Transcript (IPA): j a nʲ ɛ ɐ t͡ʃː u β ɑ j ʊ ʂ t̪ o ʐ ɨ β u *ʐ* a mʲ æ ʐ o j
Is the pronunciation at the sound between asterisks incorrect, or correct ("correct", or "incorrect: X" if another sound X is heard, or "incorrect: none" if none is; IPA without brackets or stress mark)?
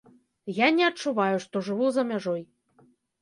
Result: incorrect: z